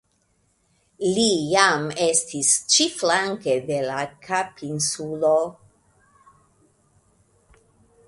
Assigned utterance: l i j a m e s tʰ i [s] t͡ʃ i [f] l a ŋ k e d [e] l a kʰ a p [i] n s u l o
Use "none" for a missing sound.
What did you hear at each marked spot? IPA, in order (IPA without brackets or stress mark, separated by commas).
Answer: s, f, e, i